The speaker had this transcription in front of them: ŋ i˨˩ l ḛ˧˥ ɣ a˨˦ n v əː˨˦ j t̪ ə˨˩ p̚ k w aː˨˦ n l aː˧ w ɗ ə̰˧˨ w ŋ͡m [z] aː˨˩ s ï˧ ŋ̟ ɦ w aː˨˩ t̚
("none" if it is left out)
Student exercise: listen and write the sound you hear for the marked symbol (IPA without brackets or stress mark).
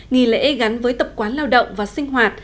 v